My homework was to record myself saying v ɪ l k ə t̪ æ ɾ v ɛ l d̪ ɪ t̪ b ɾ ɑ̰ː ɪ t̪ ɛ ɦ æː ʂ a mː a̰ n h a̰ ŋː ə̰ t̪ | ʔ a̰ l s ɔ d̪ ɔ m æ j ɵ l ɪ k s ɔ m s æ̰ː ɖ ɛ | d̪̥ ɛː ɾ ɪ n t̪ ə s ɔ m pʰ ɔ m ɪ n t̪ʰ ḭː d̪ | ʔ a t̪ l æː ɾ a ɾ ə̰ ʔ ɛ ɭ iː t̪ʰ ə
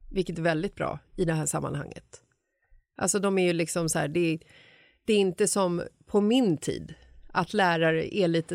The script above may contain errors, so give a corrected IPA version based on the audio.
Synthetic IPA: v ɪ l k ə t̪ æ ɾ v ɛ l d̪ ɪ t̪ b ɾ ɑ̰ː ɪ d̪ ɛ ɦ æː ʂ a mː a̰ n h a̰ ŋː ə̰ t̪ | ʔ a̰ l s ɔ d̪ ɔ m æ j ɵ l ɪ k s ɔ m s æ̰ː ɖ ɛ | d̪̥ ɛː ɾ ɪ n t̪ ə s ɔ m pʰ ɔ m ɪ n t̪ʰ ḭː d̪ | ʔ a t̪ l æː ɾ a ɾ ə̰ ʔ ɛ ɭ iː t̪ ə